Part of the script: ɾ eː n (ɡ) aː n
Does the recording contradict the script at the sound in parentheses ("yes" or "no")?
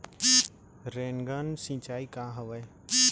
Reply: no